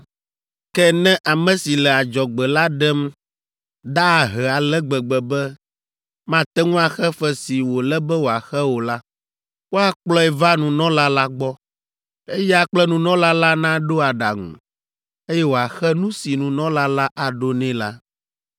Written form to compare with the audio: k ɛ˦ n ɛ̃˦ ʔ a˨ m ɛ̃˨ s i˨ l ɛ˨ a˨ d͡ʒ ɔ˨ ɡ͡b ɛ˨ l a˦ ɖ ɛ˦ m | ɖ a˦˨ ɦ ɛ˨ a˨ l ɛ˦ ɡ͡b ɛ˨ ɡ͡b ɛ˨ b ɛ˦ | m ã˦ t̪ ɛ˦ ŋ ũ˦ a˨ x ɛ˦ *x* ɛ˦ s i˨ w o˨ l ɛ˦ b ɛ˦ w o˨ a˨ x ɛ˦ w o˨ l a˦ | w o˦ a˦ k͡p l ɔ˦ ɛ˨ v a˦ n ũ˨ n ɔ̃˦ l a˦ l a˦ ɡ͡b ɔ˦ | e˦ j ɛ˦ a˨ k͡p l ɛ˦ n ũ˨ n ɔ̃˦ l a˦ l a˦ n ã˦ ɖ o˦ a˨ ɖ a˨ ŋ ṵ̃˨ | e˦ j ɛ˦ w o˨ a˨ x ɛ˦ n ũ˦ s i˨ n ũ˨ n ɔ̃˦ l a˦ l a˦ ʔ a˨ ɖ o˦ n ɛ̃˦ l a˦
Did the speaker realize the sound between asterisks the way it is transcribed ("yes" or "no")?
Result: no